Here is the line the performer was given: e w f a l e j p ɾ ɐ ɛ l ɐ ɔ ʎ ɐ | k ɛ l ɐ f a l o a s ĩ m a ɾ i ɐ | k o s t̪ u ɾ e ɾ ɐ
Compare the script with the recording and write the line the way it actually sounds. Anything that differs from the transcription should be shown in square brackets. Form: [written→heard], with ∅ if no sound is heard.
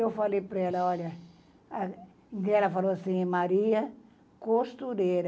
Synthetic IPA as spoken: e w f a l e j p ɾ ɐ ɛ l ɐ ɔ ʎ ɐ | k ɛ l ɐ f a l o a s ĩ m a ɾ i ɐ | k o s t̪ u ɾ e ɾ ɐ